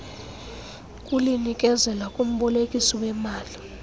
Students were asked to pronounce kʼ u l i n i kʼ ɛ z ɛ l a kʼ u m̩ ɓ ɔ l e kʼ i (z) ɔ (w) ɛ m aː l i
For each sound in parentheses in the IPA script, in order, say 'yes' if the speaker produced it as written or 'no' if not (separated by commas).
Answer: no, yes